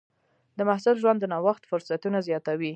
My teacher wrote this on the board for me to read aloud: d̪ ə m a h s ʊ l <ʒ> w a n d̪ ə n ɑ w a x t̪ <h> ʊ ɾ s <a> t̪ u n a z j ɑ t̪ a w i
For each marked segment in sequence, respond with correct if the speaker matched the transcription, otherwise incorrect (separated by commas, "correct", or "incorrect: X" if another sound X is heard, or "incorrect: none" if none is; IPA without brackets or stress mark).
correct, incorrect: f, correct